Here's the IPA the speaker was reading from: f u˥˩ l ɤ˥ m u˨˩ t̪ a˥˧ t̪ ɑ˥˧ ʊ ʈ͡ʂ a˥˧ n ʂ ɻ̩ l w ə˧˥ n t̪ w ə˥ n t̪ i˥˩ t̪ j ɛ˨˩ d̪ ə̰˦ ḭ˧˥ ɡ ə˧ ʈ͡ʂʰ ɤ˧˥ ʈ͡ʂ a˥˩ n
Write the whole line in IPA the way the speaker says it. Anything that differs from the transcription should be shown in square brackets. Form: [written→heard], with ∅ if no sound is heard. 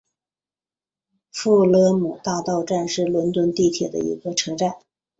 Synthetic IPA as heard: f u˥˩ l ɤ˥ m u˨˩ t̪ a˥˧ t̪ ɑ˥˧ ʊ ʈ͡ʂ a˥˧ n ʂ ɻ̩ l w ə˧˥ n t̪ w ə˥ n t̪ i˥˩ [t̪→t̪ʰ] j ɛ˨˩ d̪ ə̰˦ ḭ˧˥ ɡ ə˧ ʈ͡ʂʰ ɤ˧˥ ʈ͡ʂ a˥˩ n